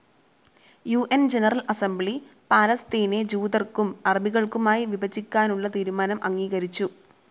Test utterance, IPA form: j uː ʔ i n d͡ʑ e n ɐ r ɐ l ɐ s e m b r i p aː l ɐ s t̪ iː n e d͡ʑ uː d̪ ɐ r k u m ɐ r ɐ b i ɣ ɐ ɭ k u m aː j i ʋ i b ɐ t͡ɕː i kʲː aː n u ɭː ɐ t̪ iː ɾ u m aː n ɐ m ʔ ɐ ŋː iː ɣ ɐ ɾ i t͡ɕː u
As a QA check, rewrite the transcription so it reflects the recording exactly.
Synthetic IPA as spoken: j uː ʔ e n d͡ʑ e n ɐ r ɐ l ɐ s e m b ɭ i p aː l ɐ s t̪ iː n e d͡ʑ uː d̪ ɐ r k u m ɐ r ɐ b i ɣ ɐ ɭ k u m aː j i ʋ i b ɐ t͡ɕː i kʲː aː n u ɭː ɐ t̪ iː ɾ u m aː n ɐ m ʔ ɐ ŋː iː ɣ ɐ ɾ i t͡ɕː u